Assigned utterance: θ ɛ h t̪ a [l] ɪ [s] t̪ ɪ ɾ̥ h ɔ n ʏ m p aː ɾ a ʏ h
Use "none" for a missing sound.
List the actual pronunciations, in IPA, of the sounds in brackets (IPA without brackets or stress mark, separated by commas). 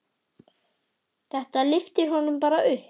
l, f